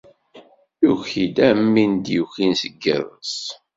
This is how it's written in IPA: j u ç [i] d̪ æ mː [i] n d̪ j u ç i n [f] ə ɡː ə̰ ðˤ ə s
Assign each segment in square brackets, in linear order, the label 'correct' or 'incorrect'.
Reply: correct, correct, incorrect

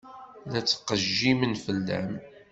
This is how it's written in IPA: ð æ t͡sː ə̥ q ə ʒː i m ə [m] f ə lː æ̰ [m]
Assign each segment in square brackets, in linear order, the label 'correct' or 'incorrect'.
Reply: incorrect, correct

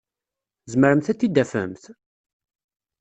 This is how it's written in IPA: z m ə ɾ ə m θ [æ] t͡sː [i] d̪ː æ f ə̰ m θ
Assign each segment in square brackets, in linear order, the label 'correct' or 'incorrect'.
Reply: correct, correct

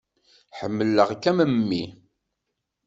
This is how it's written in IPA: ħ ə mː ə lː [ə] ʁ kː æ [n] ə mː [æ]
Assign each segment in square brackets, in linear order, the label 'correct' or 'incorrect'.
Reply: correct, incorrect, incorrect

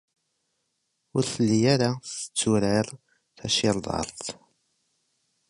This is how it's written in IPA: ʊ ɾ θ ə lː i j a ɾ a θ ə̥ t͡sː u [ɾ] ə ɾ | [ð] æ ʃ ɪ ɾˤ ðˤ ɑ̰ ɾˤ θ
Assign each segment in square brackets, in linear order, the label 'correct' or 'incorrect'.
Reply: correct, incorrect

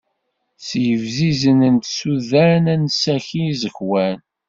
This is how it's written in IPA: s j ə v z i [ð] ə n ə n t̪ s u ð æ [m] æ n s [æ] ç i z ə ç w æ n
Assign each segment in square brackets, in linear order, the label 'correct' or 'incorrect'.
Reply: incorrect, incorrect, correct

